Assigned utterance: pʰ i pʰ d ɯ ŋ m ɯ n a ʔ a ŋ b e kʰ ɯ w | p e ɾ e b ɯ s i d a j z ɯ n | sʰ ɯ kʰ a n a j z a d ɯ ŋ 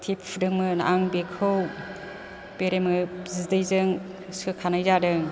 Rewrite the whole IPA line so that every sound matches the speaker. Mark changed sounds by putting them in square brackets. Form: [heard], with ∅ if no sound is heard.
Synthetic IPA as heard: [tʰ] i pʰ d ɯ ŋ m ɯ n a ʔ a ŋ b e kʰ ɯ w | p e ɾ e [m] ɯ [z] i d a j z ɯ [ŋ] | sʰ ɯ kʰ a n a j z a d ɯ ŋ